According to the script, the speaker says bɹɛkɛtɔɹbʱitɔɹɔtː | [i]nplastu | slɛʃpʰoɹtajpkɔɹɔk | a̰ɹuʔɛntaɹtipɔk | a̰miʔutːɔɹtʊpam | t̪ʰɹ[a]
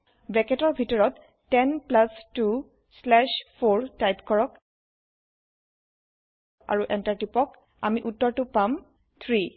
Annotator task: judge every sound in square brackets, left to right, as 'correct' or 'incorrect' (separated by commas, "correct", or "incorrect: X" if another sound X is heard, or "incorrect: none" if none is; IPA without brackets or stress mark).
incorrect: ɛ, incorrect: i